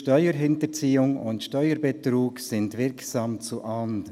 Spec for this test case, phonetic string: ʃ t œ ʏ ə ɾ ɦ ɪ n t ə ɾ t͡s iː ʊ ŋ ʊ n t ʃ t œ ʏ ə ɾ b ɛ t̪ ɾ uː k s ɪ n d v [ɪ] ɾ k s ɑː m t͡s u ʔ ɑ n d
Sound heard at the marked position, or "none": ɪ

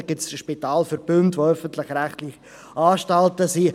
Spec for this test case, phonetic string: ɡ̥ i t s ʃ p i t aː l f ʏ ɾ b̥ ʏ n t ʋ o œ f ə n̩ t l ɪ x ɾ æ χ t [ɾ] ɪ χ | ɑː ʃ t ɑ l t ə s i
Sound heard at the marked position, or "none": l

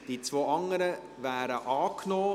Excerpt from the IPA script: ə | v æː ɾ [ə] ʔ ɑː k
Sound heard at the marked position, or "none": ə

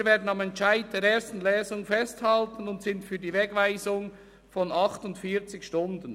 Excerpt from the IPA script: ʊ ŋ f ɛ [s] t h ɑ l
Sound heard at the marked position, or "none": s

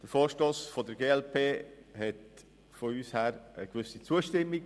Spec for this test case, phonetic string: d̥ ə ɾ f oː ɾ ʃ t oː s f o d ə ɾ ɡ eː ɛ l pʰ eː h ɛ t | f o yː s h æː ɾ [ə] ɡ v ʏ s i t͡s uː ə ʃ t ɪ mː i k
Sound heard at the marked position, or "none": ə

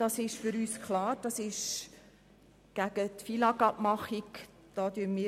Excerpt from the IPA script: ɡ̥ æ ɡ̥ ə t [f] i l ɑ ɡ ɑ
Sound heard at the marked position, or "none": f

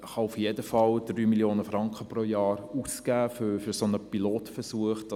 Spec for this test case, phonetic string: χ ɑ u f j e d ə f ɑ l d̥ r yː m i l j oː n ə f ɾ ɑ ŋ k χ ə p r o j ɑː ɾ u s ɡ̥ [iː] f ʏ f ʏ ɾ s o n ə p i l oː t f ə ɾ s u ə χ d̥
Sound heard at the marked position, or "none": æː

